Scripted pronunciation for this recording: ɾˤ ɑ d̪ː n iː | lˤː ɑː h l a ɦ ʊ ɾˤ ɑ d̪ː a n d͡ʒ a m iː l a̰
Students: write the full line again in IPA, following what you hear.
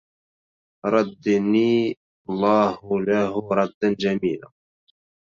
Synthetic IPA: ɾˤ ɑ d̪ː n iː | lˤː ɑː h l a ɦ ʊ ɾˤ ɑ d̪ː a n d͡ʒ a m iː l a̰